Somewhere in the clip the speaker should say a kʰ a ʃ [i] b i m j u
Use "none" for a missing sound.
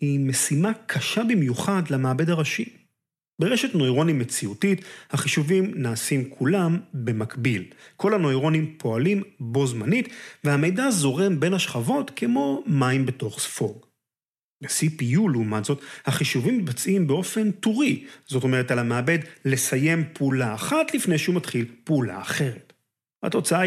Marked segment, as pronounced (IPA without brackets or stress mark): a